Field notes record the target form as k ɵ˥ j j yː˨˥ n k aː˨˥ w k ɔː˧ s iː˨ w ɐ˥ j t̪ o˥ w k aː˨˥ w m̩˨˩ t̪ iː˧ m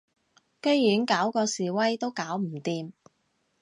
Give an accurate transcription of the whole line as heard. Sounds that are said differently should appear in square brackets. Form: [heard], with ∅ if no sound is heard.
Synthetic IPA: k ɵ˥ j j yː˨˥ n k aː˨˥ w k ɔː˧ s iː˨ w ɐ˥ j t̪ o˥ w k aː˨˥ w m̩˨˩ t̪ iː˧ m